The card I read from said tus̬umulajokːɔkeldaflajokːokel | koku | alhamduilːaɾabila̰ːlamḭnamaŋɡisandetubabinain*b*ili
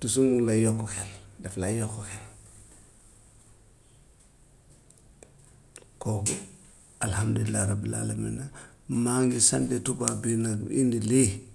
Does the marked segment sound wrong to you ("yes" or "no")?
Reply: yes